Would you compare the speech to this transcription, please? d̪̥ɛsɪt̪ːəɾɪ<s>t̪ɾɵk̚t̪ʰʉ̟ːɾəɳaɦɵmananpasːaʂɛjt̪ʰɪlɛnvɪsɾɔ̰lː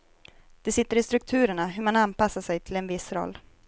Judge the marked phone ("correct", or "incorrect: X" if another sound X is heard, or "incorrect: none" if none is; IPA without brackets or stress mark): correct